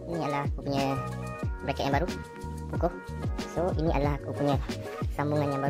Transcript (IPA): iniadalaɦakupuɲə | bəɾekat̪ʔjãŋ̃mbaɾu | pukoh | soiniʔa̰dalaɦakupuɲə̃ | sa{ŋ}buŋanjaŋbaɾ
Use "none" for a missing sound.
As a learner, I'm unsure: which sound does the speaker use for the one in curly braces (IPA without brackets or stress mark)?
m